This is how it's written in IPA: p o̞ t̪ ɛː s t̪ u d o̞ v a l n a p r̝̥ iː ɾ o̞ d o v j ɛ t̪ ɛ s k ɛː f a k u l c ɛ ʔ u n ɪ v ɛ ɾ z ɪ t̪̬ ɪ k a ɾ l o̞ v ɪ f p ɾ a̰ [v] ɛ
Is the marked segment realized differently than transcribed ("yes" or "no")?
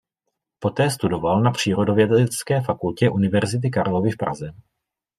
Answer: yes